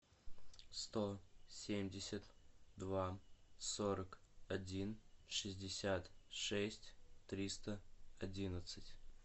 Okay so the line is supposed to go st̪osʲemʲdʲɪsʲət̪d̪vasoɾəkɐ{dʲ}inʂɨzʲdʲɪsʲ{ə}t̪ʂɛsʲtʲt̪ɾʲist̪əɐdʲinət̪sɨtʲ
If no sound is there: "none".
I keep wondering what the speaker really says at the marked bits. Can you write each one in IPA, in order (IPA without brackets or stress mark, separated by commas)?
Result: dʲ, a